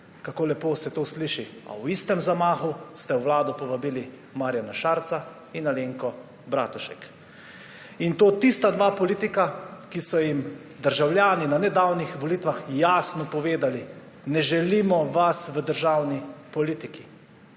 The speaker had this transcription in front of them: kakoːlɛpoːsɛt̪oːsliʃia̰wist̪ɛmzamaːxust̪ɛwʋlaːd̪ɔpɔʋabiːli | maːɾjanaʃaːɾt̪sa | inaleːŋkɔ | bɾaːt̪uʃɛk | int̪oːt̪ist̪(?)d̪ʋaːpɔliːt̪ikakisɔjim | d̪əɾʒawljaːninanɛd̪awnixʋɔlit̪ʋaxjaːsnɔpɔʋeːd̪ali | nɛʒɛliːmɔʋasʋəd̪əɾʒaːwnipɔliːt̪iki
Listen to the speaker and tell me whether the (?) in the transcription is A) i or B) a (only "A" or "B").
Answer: B